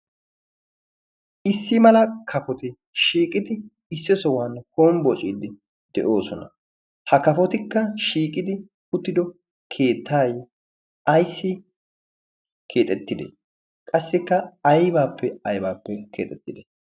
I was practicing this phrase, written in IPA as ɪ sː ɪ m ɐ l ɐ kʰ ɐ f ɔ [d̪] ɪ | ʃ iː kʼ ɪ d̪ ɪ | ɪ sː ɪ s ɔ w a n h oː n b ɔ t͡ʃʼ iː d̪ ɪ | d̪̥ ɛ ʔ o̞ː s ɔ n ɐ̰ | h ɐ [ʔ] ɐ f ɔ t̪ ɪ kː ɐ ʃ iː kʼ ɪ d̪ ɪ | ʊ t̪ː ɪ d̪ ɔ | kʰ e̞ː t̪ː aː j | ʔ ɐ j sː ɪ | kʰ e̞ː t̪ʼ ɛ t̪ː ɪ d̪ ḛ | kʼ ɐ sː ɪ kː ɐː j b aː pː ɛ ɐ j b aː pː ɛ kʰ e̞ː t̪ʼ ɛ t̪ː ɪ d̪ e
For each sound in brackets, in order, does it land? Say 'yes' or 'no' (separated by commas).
no, no